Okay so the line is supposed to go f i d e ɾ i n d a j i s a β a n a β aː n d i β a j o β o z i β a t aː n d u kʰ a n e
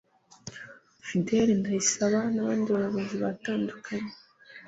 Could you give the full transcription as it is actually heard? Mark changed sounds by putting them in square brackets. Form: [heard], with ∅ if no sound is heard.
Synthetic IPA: f i d e ɾ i n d a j i s a β a n a β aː n d i β a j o β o z i β a t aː n d u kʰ a [ɲ] e

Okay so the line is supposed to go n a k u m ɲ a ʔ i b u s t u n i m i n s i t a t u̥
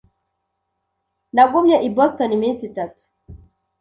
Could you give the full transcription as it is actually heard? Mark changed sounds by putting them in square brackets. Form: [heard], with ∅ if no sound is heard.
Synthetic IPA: n a [ɡ] u m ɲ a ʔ i b [ɔ] s t [ɔ] n i m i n s i t a t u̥

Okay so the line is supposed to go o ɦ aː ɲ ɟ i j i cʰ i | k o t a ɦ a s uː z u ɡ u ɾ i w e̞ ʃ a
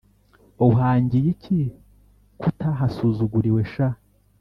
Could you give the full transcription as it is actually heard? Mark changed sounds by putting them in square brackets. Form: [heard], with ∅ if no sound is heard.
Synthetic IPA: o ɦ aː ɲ ɟ i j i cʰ i | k [u] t a ɦ a s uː z u ɡ u ɾ i w e̞ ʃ a

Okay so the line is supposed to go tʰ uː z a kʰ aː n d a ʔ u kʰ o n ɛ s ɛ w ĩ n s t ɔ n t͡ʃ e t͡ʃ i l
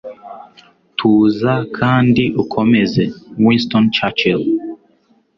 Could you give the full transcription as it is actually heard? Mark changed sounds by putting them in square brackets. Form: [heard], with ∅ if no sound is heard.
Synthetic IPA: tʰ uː z a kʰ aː n d [i] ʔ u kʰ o [m] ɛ [z] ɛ w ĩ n s t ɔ n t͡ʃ [a] t͡ʃ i l

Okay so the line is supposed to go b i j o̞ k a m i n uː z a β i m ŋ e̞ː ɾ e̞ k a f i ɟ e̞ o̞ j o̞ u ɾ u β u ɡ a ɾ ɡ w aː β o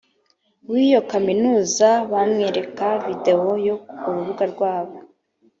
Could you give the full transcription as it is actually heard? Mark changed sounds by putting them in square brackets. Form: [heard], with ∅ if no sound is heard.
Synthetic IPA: [w] i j o̞ k a m i n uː z a β [a] m ŋ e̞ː ɾ e̞ k a [v] i [d] e̞ o̞ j o̞ u ɾ u β u ɡ a ɾ ɡ w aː β o

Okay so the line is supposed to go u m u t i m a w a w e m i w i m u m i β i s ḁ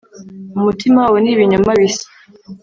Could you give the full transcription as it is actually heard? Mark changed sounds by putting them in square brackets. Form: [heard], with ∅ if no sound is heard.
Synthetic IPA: u m u t i m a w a w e [n] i [β] i [ɲ] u m [a] β i s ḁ

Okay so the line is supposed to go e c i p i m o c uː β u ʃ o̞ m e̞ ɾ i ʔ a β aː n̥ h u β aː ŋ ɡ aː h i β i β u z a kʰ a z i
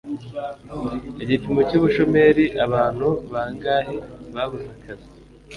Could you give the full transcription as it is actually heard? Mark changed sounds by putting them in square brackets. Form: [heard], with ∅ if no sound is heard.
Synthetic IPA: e [ɟ] i p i m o c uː β u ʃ o̞ m e̞ ɾ i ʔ a β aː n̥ h u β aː ŋ ɡ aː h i β [a] β u z a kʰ a z i

